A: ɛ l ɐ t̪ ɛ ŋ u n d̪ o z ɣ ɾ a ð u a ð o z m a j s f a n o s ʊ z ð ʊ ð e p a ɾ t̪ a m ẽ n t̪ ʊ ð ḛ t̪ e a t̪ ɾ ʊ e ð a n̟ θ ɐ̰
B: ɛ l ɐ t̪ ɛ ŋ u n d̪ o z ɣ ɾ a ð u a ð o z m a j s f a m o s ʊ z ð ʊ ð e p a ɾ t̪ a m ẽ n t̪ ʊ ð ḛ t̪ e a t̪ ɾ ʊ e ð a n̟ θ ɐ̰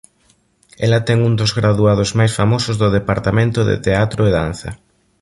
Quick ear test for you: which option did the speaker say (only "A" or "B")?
B